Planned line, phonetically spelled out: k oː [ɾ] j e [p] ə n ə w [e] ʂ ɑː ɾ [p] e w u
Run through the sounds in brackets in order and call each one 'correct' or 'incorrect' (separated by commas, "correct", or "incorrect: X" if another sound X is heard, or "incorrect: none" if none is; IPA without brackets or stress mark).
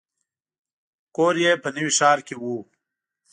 correct, correct, incorrect: i, incorrect: k